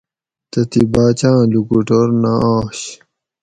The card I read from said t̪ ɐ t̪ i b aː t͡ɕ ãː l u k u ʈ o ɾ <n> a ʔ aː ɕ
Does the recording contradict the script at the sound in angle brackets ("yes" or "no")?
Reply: no